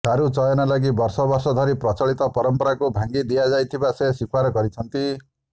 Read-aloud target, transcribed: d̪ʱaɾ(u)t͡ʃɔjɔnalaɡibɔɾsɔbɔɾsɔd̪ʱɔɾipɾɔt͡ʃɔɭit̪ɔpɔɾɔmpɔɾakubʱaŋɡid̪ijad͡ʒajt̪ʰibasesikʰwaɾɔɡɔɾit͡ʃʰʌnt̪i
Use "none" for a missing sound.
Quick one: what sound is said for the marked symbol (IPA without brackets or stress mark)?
u